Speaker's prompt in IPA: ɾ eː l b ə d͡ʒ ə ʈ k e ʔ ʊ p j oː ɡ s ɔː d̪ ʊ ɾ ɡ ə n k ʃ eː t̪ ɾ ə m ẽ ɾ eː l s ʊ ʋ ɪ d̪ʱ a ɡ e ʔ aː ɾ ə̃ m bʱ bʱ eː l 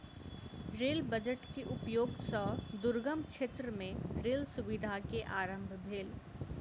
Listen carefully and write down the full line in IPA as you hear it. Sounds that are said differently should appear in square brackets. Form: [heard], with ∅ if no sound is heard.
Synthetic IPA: ɾ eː l b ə d͡ʒ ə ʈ k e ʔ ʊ p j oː ɡ s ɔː d̪ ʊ ɾ ɡ ə [m] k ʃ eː t̪ ɾ ə m ẽ ɾ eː l s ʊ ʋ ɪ d̪ʱ a [k] e ʔ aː ɾ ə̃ m bʱ bʱ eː l